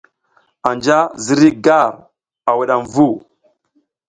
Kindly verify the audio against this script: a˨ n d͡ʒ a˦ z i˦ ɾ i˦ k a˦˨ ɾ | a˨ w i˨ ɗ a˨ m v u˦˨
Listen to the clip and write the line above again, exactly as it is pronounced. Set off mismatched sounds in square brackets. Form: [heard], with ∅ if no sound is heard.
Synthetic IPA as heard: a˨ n d͡ʒ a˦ z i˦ ɾ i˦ [ɡ] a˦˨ ɾ | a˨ w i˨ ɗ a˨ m v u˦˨